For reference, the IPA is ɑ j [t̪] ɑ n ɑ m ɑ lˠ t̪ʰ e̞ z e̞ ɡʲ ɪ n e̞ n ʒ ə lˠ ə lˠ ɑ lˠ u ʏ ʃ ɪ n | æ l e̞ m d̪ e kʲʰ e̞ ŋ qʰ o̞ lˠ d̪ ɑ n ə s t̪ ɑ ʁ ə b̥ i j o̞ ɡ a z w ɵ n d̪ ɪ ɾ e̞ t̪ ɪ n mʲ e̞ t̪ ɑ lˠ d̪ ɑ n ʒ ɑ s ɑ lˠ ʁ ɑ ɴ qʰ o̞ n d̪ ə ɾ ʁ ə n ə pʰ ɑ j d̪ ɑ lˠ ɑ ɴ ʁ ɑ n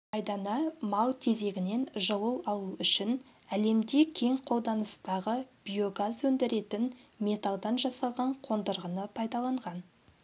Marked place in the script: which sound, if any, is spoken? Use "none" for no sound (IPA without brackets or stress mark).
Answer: d̪